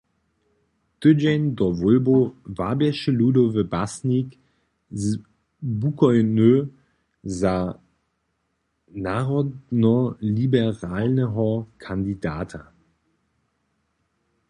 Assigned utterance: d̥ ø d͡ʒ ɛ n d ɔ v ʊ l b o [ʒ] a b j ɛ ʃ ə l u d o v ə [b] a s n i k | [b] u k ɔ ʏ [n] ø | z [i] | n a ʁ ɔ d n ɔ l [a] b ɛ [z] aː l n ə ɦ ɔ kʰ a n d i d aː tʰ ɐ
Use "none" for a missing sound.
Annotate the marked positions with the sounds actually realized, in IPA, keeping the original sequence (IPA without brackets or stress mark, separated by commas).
v, b, b, n, a, i, ʁ